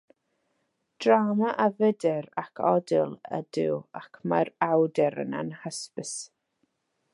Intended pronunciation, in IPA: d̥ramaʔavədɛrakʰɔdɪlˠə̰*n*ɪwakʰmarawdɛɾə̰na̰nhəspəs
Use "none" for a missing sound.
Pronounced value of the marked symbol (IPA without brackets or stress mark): d